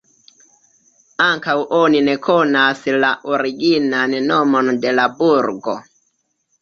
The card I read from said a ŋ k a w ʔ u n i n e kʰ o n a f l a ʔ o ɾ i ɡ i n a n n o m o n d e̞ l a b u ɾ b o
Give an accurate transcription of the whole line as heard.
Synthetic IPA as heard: a ŋ k a w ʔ o n i n e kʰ o n a s l a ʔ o ɾ i ɡ i n a n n o m o n d e̞ l a b u ɾ ɡ o